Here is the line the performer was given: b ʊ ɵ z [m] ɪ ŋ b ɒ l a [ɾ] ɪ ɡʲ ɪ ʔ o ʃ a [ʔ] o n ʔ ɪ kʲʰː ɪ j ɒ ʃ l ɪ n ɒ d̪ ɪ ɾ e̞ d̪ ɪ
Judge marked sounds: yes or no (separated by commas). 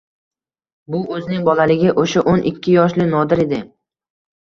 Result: no, no, yes